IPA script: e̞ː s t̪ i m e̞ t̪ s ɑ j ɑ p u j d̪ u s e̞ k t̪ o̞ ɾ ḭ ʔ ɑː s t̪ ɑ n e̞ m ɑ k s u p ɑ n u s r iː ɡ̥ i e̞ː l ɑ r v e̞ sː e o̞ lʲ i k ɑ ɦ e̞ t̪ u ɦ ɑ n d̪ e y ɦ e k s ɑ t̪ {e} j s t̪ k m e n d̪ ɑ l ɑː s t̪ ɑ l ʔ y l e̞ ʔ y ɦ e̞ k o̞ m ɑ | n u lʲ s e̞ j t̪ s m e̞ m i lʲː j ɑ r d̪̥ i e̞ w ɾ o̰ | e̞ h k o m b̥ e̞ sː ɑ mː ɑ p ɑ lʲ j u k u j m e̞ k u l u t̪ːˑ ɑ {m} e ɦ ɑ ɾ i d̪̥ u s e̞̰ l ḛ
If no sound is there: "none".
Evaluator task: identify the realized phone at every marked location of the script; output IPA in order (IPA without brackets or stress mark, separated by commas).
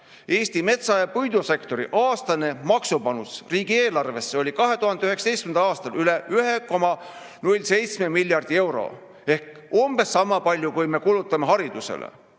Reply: e, m